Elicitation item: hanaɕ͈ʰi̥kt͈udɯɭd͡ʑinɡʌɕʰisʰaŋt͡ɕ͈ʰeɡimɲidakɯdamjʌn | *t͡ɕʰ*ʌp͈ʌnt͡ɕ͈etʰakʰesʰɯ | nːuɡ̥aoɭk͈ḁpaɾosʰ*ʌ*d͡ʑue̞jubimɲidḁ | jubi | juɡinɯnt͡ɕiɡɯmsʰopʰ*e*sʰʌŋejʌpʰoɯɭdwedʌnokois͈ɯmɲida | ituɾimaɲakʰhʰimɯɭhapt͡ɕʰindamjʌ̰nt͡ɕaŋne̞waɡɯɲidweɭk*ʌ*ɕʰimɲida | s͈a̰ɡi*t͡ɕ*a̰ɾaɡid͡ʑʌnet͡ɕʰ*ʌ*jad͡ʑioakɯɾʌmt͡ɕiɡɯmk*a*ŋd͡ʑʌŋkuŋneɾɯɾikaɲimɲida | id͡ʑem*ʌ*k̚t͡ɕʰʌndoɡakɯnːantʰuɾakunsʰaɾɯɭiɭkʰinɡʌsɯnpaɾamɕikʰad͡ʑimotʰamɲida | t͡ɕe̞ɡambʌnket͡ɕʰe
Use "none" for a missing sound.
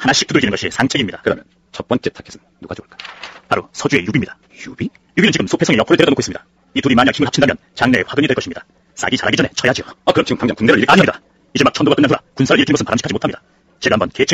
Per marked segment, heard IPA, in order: t͡ɕ, ʌ, e, ʌ, t͡ɕ, ʌ, a, a

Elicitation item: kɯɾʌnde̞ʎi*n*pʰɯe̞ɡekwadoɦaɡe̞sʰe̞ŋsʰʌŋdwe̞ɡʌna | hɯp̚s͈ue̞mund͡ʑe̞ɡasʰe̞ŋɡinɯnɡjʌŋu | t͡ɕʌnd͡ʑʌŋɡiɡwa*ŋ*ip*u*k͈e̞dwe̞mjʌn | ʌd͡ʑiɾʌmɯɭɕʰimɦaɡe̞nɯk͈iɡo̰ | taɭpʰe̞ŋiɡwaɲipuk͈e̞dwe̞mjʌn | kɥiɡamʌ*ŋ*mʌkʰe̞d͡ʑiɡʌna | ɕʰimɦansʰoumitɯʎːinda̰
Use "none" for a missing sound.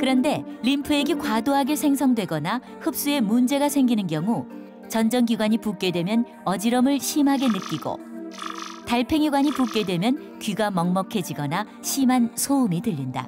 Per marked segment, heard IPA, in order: m, ɲ, u, ŋ

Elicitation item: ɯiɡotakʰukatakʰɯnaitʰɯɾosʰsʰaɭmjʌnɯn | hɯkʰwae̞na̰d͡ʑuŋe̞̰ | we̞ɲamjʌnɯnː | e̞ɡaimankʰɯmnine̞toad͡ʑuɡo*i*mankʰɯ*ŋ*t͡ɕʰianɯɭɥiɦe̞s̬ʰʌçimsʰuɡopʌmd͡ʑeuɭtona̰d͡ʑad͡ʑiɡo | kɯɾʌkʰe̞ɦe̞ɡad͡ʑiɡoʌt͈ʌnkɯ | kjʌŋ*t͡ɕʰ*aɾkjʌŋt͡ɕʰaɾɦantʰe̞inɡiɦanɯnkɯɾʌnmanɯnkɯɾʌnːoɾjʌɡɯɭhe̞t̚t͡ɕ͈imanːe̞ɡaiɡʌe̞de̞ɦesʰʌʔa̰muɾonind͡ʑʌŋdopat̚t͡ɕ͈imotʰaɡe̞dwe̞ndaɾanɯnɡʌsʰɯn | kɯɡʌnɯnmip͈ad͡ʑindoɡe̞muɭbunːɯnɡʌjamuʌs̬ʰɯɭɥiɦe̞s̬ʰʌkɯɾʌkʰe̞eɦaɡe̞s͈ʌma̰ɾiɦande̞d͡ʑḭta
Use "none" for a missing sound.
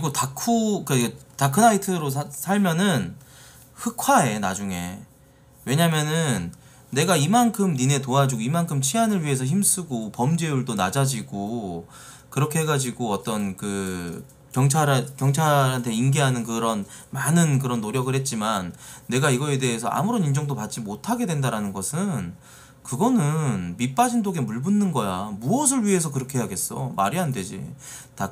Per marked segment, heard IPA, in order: i, m, t͡ɕʰ

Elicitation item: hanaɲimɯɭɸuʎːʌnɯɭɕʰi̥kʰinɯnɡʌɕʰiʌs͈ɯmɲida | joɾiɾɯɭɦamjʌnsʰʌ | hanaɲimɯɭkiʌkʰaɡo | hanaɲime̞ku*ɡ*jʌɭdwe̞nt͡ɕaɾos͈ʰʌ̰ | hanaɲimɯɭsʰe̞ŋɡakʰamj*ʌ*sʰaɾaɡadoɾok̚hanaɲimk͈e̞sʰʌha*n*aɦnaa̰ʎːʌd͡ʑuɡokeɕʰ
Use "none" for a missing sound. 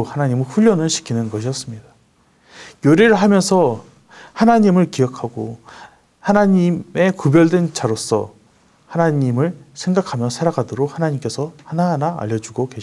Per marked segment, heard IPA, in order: b, ʌ, n

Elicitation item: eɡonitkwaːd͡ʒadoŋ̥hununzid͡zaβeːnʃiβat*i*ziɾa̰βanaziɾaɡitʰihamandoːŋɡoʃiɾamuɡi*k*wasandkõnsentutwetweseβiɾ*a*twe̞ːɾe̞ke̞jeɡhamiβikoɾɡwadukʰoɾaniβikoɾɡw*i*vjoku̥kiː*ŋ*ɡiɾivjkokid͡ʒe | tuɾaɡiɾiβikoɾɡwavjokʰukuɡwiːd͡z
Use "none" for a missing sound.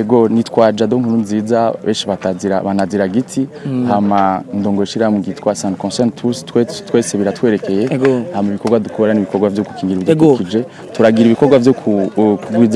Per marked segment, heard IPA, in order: a, t, a, a, ŋ

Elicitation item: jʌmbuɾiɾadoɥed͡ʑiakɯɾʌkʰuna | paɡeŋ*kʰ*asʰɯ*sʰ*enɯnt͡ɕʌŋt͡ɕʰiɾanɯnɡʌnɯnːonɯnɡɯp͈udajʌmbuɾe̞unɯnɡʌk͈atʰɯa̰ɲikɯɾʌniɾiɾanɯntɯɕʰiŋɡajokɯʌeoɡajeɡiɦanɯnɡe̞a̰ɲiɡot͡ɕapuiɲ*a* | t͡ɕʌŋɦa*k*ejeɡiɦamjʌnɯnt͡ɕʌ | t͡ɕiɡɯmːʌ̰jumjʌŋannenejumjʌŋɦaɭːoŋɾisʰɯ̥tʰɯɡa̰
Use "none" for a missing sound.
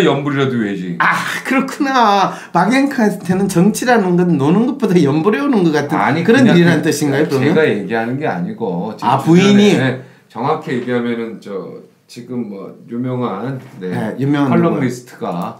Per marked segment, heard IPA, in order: kʰ, tʰ, i, kʰ

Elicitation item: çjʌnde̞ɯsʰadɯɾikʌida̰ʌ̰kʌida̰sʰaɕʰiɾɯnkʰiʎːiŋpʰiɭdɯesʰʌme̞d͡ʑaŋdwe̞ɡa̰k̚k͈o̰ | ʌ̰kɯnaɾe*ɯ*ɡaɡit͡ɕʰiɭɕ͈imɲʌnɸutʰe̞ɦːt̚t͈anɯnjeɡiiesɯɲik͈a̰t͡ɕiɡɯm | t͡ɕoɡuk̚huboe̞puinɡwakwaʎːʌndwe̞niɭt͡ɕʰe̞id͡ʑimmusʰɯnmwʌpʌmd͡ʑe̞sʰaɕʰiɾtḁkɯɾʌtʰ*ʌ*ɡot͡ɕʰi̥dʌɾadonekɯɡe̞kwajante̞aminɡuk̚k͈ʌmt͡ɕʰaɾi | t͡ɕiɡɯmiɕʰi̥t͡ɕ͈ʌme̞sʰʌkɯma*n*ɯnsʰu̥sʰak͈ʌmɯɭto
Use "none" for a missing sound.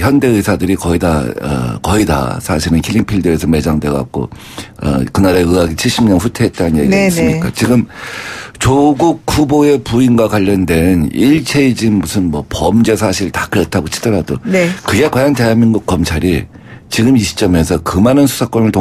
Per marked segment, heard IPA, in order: ɯ, a, n

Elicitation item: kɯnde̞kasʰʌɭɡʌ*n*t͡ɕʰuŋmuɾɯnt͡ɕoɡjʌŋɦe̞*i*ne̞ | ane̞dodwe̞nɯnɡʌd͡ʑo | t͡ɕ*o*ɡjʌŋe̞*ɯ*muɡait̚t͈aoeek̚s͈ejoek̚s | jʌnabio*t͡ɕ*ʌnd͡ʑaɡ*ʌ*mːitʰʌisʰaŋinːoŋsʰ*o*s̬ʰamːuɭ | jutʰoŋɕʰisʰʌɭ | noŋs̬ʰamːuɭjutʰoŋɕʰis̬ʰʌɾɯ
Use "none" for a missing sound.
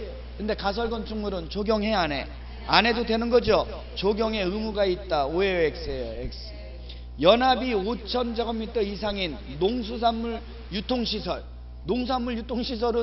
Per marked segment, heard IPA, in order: n, a, o, ɯ, t͡ɕʰ, ʌ, u

